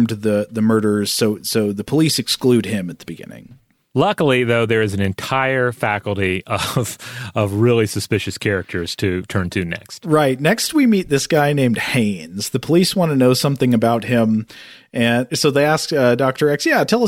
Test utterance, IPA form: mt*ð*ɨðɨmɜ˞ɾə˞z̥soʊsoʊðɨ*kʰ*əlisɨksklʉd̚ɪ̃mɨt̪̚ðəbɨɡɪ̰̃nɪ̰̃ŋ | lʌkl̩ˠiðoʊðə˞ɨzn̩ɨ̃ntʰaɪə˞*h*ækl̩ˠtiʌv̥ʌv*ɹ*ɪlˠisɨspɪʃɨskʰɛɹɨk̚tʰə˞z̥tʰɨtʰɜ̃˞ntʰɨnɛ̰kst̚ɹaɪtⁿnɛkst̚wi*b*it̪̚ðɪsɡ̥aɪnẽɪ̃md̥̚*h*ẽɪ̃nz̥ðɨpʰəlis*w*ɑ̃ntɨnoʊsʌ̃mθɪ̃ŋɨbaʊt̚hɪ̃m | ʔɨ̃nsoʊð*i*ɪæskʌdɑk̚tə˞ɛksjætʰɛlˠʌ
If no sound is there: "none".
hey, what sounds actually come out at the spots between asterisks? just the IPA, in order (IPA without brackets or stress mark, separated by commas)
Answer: ð, pʰ, f, ɹ, m, h, w, e